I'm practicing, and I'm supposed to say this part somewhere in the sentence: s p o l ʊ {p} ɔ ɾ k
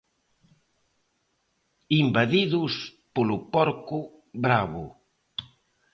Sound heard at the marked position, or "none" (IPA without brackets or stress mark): p